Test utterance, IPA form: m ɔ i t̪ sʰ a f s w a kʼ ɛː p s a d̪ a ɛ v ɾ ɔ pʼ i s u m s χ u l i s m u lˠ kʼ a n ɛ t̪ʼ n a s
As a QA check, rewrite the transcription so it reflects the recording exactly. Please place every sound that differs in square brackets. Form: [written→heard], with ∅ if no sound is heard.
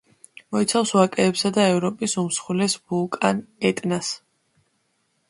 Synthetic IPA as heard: m ɔ i t̪ sʰ a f s w a kʼ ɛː p s a d̪ a ɛ v ɾ ɔ pʼ i s u m s χ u l [i→ɛ] s [m→b] u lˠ kʼ a n ɛ t̪ʼ n a s